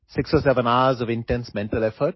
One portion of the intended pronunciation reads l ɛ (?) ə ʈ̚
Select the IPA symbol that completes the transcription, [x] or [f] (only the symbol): f